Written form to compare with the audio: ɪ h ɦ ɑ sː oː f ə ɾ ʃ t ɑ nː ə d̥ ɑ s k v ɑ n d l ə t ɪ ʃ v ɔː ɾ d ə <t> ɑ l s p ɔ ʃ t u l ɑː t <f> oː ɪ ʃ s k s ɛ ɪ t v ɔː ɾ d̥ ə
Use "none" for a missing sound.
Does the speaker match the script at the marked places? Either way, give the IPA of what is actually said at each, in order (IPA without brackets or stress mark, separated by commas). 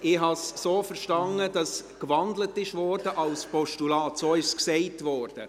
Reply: ʔ, s